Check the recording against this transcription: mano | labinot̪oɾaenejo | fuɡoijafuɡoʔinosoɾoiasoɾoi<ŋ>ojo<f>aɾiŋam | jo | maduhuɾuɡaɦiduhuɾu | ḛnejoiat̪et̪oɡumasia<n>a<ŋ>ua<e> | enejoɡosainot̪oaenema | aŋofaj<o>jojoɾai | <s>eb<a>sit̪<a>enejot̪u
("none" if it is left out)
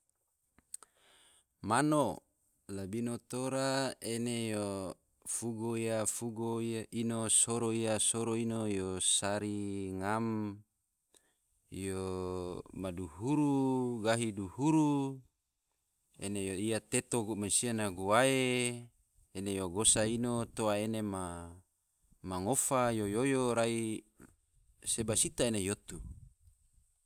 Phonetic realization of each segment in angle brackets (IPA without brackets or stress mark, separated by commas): n, s, n, ɡ, e, o, s, a, a